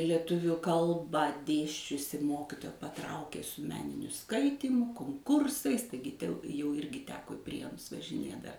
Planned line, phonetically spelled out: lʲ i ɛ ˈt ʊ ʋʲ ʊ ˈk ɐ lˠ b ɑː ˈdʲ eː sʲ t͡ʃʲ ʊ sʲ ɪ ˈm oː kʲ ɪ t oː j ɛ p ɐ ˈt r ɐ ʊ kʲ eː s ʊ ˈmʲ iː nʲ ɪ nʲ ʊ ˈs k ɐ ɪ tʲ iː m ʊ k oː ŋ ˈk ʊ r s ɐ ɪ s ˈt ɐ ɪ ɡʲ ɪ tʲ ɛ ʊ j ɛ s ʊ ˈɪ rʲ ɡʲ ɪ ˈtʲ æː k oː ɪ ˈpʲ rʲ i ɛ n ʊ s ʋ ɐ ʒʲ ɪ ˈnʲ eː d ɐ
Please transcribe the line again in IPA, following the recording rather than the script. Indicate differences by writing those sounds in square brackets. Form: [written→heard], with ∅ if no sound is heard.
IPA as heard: lʲ i ɛ ˈt ʊ ʋʲ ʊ ˈk ɐ lˠ b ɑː ˈdʲ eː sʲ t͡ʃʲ ʊ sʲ ɪ ˈm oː kʲ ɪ t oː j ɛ p ɐ ˈt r ɐ ʊ kʲ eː s ʊ ˈmʲ [iː→æː] nʲ ɪ nʲ ʊ ˈs k ɐ ɪ tʲ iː m ʊ k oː ŋ ˈk ʊ r s ɐ ɪ s ˈt ɐ ɪ ɡʲ ɪ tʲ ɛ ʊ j ɛ [s→∅] ʊ ˈɪ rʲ ɡʲ ɪ ˈtʲ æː k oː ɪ ˈpʲ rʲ i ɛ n ʊ s ʋ ɐ ʒʲ ɪ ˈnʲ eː d ɐ

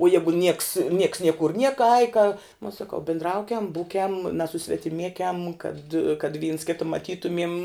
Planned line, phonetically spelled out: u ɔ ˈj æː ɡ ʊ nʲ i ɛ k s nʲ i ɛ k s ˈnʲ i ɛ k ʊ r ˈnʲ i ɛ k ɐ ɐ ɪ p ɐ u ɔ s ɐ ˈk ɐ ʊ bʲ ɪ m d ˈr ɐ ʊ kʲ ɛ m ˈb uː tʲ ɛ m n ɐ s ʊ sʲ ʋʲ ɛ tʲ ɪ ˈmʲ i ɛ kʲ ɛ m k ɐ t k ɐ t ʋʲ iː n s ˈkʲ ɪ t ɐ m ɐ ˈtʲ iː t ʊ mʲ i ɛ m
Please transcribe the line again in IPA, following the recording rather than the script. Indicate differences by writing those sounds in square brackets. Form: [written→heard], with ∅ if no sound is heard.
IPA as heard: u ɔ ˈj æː ɡ ʊ nʲ i ɛ k s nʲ i ɛ k s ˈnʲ i ɛ k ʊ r ˈnʲ i ɛ k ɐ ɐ ɪ [p→k] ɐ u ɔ s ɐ ˈk ɐ ʊ bʲ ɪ [m→n] d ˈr ɐ ʊ kʲ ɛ m ˈb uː [tʲ→kʲ] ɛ m n ɐ s ʊ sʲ ʋʲ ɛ tʲ ɪ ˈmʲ i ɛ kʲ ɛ m k ɐ t k ɐ t ʋʲ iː n s ˈkʲ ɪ t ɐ m ɐ ˈtʲ iː t ʊ mʲ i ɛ m

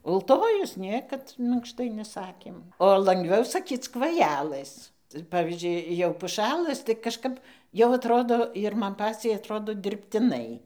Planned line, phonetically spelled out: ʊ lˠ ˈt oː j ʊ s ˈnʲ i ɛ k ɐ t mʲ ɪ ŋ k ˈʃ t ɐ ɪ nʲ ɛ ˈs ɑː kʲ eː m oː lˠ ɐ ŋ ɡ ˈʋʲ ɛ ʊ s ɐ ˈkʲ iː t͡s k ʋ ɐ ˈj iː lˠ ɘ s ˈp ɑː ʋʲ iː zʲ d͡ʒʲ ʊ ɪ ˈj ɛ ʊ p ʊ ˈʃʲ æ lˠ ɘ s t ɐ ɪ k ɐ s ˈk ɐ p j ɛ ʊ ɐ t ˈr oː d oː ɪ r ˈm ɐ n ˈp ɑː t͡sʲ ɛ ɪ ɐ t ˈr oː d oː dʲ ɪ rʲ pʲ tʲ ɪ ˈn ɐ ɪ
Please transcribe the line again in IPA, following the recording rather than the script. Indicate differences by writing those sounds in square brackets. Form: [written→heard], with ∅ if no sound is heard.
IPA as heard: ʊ lˠ ˈt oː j ʊ s ˈnʲ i ɛ k ɐ t mʲ ɪ ŋ k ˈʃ t ɐ ɪ nʲ ɛ ˈs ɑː kʲ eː m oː lˠ ɐ ŋ ɡ ˈʋʲ ɛ ʊ s ɐ ˈkʲ iː t͡s k ʋ ɐ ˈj [iː→æː] lˠ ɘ s ˈp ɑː ʋʲ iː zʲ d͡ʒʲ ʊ ɪ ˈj ɛ ʊ p ʊ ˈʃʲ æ lˠ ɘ s t ɐ ɪ k ɐ [s→ʃ] ˈk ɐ p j ɛ ʊ ɐ t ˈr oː d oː ɪ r ˈm ɐ n ˈp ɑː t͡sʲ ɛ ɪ ɐ t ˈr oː d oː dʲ ɪ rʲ pʲ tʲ ɪ ˈn ɐ ɪ

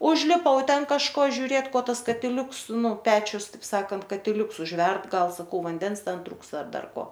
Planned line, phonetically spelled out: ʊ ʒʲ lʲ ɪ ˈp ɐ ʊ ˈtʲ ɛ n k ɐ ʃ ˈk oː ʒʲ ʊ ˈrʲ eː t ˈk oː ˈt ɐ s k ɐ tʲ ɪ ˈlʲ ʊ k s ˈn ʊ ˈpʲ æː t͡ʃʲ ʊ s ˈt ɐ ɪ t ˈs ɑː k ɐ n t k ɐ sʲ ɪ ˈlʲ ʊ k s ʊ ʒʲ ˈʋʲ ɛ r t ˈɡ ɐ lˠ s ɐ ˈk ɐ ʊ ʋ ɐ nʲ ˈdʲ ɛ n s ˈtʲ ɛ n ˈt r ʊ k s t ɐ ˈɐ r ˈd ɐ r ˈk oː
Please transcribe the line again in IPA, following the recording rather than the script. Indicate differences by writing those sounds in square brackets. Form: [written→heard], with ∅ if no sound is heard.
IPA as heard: ʊ ʒʲ lʲ ɪ ˈp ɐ ʊ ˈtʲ ɛ n k ɐ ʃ ˈk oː ʒʲ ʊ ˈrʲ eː t ˈk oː ˈt ɐ s k ɐ tʲ ɪ ˈlʲ ʊ k s ˈn ʊ ˈpʲ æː t͡ʃʲ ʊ s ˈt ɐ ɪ [t→p] ˈs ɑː k ɐ n t k ɐ [sʲ→tʲ] ɪ ˈlʲ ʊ k s ʊ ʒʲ ˈʋʲ ɛ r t ˈɡ ɐ lˠ s ɐ ˈk ɐ ʊ ʋ ɐ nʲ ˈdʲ ɛ n s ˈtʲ ɛ n ˈt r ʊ k s t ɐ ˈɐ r ˈd ɐ r ˈk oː

